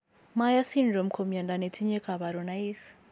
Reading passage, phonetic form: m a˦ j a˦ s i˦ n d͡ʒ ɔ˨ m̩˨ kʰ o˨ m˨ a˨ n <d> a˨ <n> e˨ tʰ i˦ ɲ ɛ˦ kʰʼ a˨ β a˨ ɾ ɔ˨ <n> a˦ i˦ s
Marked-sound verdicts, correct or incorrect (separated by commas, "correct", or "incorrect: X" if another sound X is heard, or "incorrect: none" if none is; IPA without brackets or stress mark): correct, correct, correct